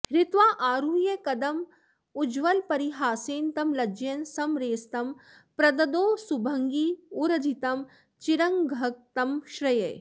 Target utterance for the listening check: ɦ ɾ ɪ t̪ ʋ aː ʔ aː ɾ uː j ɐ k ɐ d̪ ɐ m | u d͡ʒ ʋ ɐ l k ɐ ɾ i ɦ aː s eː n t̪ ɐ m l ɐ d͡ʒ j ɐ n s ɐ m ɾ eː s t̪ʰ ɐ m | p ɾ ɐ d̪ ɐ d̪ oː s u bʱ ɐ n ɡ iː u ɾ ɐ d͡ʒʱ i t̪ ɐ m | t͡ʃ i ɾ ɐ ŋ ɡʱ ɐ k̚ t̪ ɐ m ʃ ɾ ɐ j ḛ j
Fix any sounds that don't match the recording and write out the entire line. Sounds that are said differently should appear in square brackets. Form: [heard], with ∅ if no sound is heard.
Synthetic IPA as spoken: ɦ ɾ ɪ t̪ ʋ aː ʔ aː ɾ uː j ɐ k ɐ d̪ ɐ m | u d͡ʒ ʋ ɐ l [p] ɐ ɾ i ɦ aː s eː n t̪ ɐ m l ɐ d͡ʒ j ɐ n s ɐ m ɾ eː s [t̪] ɐ m | p ɾ ɐ d̪ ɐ d̪ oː s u bʱ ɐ [ŋ] ɡ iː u ɾ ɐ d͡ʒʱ i t̪ ɐ m | t͡ʃ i ɾ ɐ ŋ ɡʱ ɐ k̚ t̪ ɐ m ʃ ɾ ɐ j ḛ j